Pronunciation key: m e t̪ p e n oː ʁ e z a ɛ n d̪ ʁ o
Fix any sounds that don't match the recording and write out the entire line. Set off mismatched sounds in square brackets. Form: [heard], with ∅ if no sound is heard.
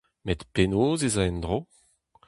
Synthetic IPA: m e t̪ p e n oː [z] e z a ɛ n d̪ ʁ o